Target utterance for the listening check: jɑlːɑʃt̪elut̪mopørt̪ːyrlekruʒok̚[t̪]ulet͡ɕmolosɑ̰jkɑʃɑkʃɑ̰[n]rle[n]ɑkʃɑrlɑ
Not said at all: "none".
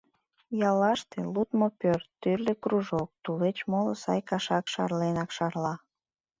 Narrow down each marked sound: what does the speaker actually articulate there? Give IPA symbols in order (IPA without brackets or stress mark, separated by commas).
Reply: t̪, none, n